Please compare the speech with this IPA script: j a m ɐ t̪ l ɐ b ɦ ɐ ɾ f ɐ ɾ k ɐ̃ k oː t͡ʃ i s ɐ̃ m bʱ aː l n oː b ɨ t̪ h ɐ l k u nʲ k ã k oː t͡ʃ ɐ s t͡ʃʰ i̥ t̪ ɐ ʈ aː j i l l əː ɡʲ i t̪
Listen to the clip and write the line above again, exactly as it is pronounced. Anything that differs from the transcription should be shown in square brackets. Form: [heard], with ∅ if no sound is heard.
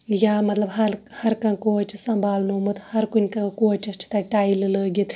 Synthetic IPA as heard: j a m ɐ t̪ l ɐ b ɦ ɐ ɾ [h] ɐ ɾ k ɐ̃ k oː t͡ʃ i s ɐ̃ m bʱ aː l n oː [m] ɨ t̪ h ɐ [ɾ] k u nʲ k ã k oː t͡ʃ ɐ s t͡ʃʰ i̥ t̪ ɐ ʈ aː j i l l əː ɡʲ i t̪